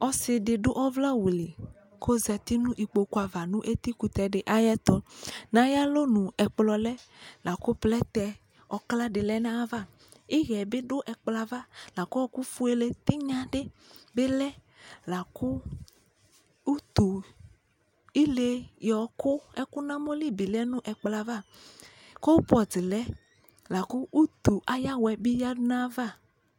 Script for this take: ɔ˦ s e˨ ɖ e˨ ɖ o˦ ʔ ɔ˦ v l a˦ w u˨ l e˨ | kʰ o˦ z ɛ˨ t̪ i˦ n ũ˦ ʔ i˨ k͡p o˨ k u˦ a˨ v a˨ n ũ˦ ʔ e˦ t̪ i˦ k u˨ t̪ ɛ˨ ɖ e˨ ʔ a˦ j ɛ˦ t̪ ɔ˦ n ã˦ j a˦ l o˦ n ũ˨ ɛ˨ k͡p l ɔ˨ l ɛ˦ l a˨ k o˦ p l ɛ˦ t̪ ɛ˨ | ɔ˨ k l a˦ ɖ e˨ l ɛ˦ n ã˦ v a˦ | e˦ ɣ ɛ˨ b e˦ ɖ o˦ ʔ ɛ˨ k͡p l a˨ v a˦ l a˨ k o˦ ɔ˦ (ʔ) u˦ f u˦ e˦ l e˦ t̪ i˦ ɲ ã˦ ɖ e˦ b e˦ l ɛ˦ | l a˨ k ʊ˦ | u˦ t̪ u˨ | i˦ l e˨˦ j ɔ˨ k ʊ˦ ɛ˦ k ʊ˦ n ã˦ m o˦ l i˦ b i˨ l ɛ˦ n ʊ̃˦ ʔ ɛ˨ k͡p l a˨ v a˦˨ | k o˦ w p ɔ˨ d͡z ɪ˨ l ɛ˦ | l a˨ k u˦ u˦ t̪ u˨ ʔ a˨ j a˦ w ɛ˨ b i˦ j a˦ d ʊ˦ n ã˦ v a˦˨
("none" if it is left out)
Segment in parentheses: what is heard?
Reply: k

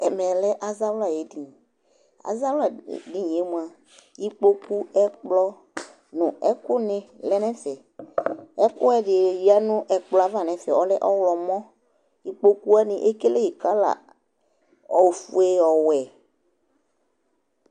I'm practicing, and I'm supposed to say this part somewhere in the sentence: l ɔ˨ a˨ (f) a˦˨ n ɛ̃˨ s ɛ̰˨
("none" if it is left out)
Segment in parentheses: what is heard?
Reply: v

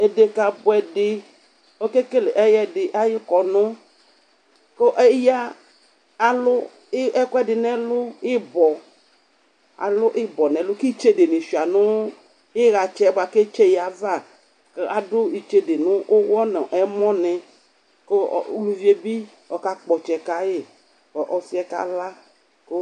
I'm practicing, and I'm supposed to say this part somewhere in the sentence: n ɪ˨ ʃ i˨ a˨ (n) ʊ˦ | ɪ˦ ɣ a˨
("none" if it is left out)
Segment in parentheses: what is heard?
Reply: n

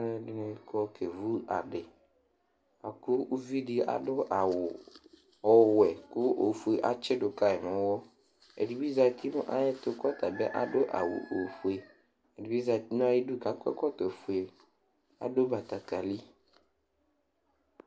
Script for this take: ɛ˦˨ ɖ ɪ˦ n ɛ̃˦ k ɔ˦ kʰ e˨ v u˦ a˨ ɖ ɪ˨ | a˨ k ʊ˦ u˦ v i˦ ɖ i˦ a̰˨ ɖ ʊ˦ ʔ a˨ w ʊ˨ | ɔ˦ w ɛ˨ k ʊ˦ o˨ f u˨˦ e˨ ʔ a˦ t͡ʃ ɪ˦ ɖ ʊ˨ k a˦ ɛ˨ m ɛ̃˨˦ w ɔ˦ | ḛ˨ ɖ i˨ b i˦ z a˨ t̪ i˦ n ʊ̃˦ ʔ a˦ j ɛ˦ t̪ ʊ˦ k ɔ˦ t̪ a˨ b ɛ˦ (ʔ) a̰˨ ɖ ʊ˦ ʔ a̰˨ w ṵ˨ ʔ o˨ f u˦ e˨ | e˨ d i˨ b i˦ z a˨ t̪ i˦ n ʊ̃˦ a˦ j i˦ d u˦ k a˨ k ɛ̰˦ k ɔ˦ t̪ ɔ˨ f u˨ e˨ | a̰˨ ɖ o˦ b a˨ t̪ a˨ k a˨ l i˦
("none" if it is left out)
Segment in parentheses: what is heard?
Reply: ʔ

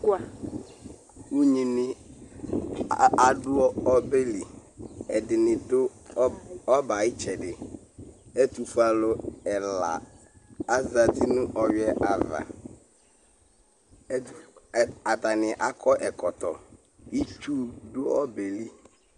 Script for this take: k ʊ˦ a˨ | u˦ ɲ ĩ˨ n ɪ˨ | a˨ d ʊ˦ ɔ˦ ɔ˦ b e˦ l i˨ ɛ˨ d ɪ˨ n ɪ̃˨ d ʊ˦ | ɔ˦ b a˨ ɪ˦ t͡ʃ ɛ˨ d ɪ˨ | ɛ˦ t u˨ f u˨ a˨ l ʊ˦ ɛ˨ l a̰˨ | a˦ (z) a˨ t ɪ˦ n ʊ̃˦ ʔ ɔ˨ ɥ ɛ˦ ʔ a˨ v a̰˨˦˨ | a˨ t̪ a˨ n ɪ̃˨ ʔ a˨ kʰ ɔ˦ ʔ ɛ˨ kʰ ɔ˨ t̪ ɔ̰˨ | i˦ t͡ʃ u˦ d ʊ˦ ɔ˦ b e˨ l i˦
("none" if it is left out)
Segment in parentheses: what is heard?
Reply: z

